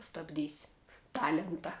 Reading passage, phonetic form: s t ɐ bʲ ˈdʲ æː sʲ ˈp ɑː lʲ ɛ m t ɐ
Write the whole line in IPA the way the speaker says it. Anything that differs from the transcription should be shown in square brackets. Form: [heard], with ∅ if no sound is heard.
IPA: s t ɐ bʲ ˈdʲ [iː] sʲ [ˈt] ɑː lʲ ɛ [n] t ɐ